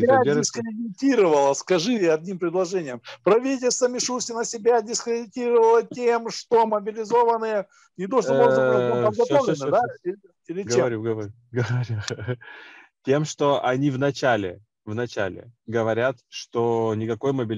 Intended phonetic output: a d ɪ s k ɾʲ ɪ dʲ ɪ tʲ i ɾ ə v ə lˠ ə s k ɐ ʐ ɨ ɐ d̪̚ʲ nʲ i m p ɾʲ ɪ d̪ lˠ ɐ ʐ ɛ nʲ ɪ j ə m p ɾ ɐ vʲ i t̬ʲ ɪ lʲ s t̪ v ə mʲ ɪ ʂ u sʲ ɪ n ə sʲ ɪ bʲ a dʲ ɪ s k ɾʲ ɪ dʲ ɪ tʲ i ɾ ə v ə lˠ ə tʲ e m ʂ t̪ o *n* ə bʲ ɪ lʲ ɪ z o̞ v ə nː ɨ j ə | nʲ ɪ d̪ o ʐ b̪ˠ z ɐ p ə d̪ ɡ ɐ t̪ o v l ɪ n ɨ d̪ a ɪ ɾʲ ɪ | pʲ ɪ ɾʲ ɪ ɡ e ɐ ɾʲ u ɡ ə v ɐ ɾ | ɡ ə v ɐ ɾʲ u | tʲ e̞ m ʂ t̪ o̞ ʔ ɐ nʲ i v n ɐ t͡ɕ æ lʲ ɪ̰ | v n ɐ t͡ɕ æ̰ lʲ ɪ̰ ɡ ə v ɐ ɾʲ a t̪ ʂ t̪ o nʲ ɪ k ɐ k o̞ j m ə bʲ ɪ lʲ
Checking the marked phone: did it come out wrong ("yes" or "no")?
yes